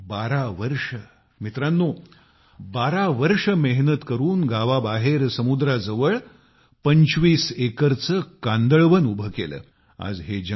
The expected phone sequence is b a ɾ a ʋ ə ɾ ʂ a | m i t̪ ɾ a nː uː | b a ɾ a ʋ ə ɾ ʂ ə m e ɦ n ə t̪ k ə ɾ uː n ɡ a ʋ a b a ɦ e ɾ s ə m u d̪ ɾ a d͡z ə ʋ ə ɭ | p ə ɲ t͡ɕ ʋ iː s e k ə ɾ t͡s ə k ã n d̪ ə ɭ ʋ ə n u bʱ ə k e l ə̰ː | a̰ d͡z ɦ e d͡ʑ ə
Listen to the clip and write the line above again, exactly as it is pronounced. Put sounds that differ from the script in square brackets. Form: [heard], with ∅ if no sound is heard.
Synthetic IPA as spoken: b a ɾ a ʋ ə ɾ ʂ [ə] | m i t̪ ɾ a nː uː | b a ɾ a ʋ ə ɾ ʂ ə m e ɦ n ə t̪ k ə ɾ uː n ɡ a ʋ a b a ɦ e ɾ s ə m u d̪ ɾ a d͡z ə ʋ ə ɭ | p ə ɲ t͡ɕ ʋ iː s e k ə ɾ t͡s ə k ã n d̪ ə ɭ ʋ ə n u bʱ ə k e l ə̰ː | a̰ d͡z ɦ e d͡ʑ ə